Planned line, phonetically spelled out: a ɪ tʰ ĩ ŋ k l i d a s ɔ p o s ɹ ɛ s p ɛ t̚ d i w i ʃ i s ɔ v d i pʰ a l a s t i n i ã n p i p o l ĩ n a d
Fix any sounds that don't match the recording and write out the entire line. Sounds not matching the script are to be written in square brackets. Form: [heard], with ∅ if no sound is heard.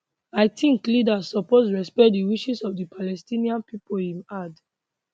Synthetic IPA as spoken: a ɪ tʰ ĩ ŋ k l i d a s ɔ p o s ɹ ɛ s p ɛ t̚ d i w i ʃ i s ɔ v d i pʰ a l [ɛ] s t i n i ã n p i p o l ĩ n a d

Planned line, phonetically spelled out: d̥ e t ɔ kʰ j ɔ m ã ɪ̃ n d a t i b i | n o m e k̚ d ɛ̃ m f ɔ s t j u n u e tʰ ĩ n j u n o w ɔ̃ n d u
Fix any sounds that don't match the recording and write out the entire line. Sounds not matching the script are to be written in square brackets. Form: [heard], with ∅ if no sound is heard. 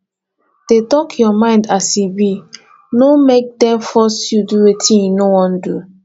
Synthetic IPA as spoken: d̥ e t ɔ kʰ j ɔ m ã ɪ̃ n d a [s] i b i | n o m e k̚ d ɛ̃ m f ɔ s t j u [d] u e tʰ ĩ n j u n o w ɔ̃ n d u

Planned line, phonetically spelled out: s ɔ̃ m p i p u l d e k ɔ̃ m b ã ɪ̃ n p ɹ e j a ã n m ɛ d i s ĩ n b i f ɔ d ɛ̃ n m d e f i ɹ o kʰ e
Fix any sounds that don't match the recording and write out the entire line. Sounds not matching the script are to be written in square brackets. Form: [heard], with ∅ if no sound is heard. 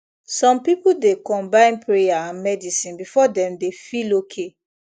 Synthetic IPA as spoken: s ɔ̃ m p i p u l d e k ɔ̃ m b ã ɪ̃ n p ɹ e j a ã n m ɛ d i s ĩ n b i f ɔ d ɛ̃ [∅] m d e f i [l] o kʰ e

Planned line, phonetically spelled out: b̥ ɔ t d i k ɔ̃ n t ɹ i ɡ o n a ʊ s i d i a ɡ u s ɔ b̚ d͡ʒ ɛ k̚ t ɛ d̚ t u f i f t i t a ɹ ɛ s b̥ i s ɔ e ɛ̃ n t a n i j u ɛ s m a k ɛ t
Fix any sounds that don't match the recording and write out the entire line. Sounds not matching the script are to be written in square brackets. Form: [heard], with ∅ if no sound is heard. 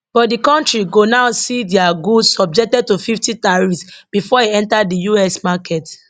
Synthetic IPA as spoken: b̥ ɔ t d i k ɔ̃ n t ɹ i ɡ o n a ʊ s i d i a ɡ u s ɔ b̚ d͡ʒ ɛ k̚ t ɛ d̚ t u f i f t i t a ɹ [i] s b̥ i [f] ɔ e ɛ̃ n t a [d] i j u ɛ s m a k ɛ t

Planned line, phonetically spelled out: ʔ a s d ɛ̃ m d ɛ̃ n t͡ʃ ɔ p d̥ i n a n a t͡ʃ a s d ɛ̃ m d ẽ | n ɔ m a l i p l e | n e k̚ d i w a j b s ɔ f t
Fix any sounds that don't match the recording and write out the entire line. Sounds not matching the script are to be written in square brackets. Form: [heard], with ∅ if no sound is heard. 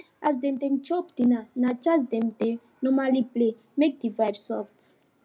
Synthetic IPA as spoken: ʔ a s d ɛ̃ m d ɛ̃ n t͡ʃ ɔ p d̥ i n a n a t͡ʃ a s d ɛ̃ m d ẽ | n ɔ m a l i p l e | [m] e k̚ d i [v] a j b s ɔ f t

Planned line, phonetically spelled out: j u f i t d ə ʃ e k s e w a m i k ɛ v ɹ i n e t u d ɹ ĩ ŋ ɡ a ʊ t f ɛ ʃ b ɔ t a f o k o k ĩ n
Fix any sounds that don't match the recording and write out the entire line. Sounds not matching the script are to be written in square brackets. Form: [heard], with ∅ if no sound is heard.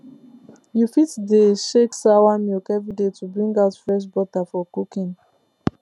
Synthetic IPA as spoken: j u f i t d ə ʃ e k s [a] w a m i k ɛ v ɹ i [d] e t u [b] ɹ ĩ ŋ ɡ a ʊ t f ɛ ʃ b ɔ t a f [ɔ] k [u] k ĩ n

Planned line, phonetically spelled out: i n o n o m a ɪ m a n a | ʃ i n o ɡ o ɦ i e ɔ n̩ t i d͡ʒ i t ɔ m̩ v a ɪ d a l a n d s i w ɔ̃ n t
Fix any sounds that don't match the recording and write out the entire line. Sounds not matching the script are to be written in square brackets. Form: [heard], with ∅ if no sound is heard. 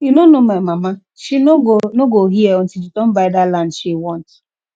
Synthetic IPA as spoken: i n o n o m a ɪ m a [m] a | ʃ i n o ɡ o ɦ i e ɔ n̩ t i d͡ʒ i t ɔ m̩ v a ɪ d a l a n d [ʃ] i w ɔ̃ n t

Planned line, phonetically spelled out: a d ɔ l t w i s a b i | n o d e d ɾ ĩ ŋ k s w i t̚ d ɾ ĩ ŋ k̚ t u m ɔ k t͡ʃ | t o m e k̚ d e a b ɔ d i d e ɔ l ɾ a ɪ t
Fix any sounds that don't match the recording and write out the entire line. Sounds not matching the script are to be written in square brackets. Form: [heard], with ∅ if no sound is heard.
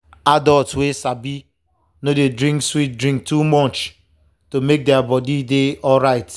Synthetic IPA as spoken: a d ɔ l t w [e] s a b i | n o d e d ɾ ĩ ŋ k s w i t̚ d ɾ ĩ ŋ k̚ t u m ɔ [∅] t͡ʃ | t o m e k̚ d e a b ɔ d i d e ɔ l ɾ a ɪ t

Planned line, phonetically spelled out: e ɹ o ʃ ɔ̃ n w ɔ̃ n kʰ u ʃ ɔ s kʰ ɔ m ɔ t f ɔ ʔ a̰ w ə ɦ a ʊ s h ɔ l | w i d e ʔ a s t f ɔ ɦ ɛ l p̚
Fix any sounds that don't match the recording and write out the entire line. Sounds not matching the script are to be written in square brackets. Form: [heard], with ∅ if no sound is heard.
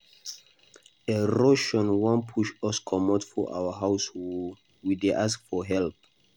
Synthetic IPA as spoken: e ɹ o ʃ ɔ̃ n w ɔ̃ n [pʰ] u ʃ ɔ s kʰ ɔ m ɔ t f ɔ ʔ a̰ w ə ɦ a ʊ s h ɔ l | w i d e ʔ a s [k] f ɔ ɦ ɛ l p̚

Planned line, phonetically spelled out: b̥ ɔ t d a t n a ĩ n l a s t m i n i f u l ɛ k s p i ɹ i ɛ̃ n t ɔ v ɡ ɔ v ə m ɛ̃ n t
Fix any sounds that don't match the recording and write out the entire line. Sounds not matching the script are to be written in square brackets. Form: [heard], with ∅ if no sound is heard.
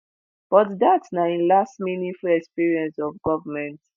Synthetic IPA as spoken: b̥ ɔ t d a t n a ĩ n l a s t m i n i f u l ɛ k s p i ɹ i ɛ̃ n [s] ɔ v ɡ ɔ v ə m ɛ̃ n t

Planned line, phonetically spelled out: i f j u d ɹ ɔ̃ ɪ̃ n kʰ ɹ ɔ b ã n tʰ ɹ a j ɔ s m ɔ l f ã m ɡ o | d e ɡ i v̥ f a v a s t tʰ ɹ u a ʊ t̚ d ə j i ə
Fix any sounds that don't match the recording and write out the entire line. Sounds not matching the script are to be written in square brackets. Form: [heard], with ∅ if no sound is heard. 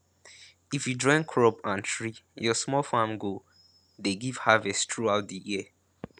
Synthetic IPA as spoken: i f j u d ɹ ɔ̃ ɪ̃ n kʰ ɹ ɔ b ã n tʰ ɹ [i] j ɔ s m ɔ l f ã m ɡ o | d e ɡ i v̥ [h] a v [ɛ] s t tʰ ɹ u a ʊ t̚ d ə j i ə

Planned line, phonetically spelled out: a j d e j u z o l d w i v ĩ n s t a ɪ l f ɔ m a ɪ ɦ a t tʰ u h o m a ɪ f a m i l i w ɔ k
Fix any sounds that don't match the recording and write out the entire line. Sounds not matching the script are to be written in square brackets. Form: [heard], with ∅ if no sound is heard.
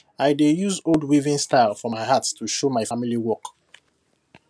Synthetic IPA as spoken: a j d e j u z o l d w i v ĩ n s t a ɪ l f ɔ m a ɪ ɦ a t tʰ u [ʃ] o m a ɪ f a m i l i w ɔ k

